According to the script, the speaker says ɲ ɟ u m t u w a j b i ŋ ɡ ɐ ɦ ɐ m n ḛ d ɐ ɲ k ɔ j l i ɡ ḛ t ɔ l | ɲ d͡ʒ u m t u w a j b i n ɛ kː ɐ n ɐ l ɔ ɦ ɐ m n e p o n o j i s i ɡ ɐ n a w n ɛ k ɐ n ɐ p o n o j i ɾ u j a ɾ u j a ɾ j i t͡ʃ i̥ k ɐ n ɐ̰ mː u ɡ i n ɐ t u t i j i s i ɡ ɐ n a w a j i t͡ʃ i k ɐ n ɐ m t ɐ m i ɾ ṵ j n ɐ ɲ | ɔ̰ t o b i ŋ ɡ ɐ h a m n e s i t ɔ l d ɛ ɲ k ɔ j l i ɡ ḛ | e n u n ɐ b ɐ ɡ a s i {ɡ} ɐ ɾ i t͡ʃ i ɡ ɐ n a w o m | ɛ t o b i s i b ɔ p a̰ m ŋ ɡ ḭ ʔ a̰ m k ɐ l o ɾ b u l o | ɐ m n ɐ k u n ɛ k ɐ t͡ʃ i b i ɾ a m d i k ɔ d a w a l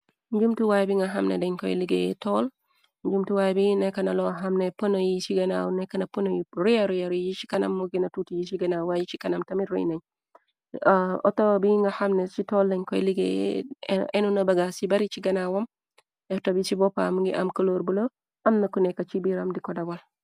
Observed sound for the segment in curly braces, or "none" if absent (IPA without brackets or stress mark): b